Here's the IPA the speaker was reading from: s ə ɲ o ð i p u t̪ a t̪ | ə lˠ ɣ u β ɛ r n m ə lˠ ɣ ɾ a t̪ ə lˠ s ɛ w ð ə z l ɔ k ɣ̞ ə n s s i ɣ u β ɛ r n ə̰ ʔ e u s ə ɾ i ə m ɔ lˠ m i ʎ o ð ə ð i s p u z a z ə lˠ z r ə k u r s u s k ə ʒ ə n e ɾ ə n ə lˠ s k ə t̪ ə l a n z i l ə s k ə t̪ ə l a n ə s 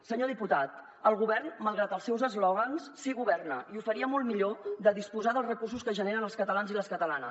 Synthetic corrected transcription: s ə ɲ o ð i p u t̪ a t̪ | ə lˠ ɣ u β ɛ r n m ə lˠ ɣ ɾ a t̪ ə lˠ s ɛ w z ə z l ɔ ɣ̞ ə n s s i ɣ u β ɛ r n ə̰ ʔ i u f ə ɾ i ə m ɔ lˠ m i ʎ o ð ə ð i s p u z a ð ə lˠ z r ə k u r s u s k ə ʒ ə n e ɾ ə n ə lˠ s k ə t̪ ə l a n z i l ə s k ə t̪ ə l a n ə s